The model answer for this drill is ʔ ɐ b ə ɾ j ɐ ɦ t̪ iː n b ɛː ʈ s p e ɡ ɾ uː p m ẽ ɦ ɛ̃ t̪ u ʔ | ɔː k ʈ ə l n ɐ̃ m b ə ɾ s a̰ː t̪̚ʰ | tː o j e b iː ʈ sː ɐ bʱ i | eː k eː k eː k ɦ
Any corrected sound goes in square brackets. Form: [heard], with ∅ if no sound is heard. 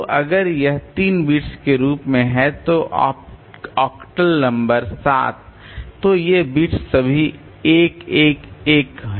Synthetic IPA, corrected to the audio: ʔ ɐ [ɡ] ə ɾ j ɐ ɦ t̪ iː n b [iː] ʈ s [k] e [∅] ɾ uː p m ẽ ɦ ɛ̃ t̪ [o] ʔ | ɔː k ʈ ə l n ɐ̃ m b ə ɾ s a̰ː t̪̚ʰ | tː o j e b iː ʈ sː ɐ bʱ i | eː k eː k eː k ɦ